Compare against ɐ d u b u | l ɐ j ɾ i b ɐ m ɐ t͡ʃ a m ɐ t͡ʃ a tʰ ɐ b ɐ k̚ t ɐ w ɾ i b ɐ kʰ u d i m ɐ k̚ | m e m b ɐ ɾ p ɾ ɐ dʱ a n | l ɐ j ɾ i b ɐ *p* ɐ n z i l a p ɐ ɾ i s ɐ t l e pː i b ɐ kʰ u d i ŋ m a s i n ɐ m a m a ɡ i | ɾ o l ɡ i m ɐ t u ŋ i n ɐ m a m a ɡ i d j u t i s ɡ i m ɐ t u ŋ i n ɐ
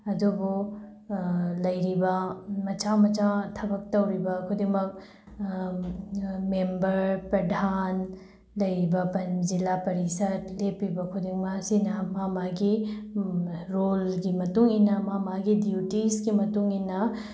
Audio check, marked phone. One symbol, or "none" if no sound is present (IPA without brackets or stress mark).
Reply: p